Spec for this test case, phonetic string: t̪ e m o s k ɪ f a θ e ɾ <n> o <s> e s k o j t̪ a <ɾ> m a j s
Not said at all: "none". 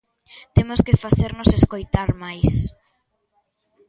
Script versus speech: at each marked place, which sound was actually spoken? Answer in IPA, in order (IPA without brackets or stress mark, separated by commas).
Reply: n, s, ɾ